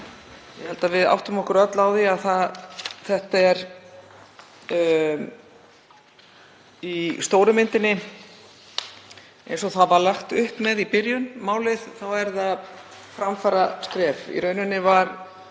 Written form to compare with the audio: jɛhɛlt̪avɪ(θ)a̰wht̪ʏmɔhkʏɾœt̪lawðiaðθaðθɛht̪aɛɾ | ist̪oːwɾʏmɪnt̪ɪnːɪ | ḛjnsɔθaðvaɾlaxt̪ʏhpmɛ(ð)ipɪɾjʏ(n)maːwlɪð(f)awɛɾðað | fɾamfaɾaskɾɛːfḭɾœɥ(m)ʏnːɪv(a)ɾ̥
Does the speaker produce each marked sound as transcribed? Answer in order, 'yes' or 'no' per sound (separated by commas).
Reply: no, yes, yes, no, no, yes